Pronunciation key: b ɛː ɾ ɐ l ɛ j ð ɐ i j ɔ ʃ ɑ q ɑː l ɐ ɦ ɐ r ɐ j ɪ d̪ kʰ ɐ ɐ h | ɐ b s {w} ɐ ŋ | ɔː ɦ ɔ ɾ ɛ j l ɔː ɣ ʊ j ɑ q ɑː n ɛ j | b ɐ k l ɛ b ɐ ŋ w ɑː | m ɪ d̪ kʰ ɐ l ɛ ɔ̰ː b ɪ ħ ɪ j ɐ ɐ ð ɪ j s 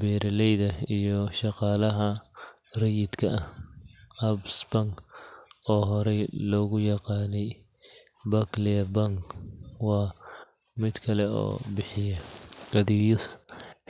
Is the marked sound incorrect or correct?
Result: incorrect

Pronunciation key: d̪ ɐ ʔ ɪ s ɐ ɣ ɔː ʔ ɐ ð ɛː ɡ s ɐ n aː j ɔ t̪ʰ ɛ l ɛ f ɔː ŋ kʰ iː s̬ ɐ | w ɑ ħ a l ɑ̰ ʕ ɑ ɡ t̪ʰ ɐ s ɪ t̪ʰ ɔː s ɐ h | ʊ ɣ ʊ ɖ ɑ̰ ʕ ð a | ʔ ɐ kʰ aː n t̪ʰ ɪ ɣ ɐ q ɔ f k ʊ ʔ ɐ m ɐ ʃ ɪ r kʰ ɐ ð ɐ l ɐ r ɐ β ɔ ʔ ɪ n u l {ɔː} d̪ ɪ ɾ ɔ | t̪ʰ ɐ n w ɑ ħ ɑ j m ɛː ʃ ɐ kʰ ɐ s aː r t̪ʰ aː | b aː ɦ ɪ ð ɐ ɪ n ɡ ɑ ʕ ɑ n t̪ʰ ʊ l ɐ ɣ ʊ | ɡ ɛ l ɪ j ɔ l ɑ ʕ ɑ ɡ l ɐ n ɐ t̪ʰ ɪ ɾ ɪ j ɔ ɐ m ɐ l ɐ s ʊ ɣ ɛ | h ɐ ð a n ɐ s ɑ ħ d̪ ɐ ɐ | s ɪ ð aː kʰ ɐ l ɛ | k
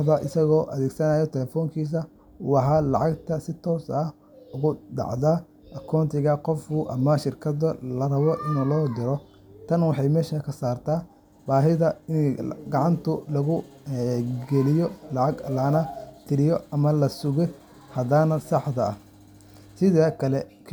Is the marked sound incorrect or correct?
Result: correct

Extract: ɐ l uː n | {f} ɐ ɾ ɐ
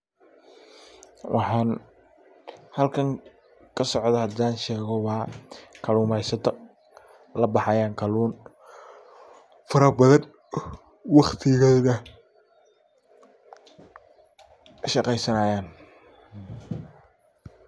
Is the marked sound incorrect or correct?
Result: correct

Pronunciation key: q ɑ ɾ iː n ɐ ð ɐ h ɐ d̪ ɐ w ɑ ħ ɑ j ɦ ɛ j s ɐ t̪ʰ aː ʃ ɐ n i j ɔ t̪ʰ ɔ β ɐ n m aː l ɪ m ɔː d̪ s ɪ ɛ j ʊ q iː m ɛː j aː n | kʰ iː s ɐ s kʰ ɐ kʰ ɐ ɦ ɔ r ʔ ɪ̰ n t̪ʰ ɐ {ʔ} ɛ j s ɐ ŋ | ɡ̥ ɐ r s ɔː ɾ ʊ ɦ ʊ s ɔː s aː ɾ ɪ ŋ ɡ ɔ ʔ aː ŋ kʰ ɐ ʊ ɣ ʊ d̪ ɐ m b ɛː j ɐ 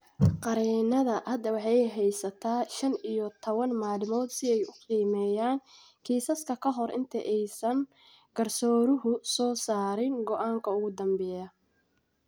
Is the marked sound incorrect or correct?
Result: correct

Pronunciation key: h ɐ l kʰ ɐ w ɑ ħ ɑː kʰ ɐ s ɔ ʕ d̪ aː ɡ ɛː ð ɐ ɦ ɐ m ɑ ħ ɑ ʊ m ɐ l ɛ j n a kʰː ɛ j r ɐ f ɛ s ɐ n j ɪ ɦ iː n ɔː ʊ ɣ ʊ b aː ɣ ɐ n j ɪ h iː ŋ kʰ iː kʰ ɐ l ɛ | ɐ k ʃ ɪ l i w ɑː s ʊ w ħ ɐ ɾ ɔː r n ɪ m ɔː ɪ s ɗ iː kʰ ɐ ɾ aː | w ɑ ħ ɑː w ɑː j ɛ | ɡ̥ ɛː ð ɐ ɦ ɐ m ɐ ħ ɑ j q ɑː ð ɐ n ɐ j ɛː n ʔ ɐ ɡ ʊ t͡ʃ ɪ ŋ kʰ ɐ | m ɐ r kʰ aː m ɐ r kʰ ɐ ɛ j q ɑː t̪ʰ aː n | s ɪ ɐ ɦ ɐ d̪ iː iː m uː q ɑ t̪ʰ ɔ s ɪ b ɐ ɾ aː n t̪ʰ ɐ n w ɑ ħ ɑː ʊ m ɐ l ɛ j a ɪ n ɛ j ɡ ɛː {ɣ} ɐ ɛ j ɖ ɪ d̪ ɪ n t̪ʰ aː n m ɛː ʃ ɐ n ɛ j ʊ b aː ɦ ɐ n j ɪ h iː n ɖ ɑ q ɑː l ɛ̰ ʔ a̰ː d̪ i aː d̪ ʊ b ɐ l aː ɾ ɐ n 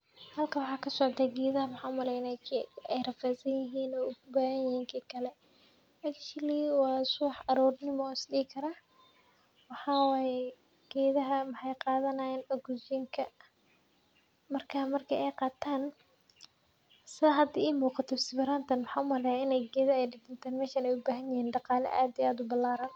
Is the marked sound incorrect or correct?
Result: incorrect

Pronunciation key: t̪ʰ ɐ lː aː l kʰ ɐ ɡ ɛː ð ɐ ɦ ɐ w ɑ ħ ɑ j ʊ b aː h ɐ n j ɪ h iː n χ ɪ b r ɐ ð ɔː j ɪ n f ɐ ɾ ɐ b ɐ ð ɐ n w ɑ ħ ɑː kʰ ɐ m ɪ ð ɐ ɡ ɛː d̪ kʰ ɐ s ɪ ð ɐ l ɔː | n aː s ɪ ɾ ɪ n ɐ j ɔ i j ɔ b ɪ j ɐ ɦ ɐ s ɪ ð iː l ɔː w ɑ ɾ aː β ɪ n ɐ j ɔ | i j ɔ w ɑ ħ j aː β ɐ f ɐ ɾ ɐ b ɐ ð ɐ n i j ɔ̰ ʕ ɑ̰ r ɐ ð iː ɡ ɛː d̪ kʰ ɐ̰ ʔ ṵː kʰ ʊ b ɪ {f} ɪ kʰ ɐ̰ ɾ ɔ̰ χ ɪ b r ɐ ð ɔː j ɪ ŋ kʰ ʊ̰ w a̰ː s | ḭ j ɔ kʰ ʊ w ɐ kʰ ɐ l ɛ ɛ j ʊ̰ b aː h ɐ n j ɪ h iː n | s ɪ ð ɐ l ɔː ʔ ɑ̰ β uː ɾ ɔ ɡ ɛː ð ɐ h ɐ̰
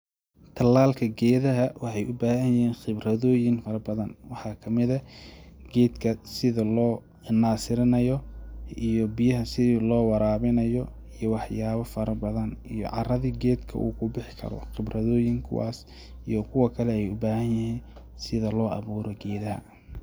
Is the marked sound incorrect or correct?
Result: incorrect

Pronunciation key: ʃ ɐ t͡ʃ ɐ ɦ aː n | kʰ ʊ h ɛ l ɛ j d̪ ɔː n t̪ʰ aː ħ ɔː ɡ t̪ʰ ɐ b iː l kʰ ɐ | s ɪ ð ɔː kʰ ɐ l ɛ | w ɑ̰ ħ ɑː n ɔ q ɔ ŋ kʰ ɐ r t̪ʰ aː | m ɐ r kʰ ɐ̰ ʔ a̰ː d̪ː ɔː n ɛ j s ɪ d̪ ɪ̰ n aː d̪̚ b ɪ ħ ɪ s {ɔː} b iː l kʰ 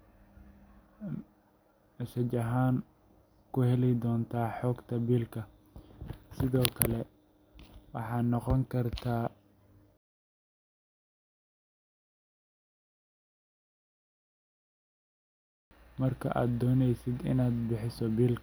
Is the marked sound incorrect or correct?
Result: incorrect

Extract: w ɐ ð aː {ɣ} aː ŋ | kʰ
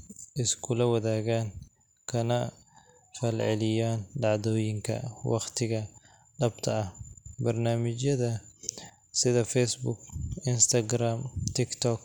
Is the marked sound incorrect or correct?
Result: correct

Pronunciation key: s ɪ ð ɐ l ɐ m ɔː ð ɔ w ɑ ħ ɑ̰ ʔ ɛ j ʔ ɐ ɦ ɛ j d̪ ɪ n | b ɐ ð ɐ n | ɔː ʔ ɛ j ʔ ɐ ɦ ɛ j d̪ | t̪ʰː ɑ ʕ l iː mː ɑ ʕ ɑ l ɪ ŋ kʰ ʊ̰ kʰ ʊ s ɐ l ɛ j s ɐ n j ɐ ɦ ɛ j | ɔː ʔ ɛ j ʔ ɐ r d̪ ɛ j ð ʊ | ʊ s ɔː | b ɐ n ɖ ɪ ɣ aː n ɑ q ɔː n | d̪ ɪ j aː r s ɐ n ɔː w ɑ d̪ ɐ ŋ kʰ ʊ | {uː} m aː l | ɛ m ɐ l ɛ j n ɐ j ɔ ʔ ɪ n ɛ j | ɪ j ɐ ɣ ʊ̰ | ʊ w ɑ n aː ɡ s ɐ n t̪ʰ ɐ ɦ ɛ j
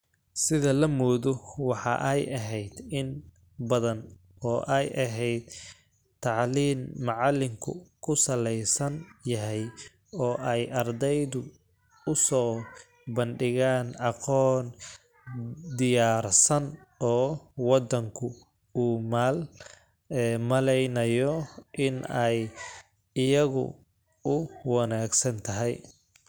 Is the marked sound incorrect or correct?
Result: correct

